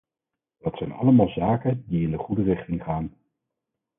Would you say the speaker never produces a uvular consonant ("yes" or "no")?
no